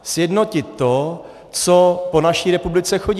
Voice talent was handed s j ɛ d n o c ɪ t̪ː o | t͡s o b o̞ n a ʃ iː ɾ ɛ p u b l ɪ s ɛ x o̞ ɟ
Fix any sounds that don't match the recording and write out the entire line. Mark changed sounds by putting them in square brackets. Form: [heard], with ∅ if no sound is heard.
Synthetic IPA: s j ɛ d n o c ɪ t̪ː o | t͡s o [p] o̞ n a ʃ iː ɾ ɛ p u b l ɪ [t͡s] ɛ x o̞ ɟ